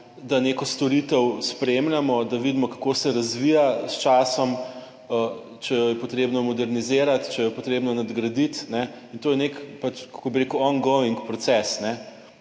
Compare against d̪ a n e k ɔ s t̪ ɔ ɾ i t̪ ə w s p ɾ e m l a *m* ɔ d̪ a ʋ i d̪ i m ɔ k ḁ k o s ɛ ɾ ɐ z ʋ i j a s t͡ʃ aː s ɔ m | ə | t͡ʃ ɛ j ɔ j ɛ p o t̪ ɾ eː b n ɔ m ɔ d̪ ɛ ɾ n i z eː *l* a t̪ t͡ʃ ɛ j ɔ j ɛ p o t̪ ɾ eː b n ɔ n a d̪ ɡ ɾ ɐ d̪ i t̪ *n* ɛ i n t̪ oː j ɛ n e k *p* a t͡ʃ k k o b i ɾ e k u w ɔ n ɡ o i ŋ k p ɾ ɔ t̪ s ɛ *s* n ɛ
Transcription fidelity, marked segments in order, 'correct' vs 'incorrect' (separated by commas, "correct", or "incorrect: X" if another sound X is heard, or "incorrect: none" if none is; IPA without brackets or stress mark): correct, incorrect: ɾ, correct, correct, correct